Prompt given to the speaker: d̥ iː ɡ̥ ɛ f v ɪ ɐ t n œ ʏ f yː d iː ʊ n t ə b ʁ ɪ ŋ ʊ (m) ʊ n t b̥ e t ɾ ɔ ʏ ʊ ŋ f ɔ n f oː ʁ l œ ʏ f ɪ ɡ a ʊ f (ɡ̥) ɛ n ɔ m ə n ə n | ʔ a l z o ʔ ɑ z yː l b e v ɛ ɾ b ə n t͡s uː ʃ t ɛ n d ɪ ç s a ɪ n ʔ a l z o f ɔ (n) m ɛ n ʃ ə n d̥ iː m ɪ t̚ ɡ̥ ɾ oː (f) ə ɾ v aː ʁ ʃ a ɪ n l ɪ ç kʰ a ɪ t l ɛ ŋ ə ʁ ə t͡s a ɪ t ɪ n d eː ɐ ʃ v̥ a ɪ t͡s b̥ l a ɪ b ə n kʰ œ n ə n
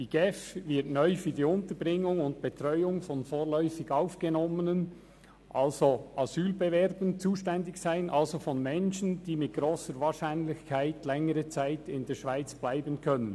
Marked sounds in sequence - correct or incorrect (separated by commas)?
incorrect, correct, correct, incorrect